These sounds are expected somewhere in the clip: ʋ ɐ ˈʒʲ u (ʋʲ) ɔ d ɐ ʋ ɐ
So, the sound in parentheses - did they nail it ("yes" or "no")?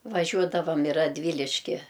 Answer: no